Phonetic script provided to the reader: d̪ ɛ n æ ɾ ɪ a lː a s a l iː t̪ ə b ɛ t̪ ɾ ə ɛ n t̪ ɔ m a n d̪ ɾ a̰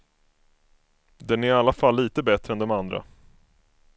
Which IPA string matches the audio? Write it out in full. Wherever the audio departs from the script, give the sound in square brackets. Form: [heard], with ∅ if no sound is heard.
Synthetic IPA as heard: d̪ ɛ n æ ɾ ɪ a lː a [f] a [lː] iː t̪ ə b ɛ t̪ ɾ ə ɛ n [d̪] ɔ m a n d̪ ɾ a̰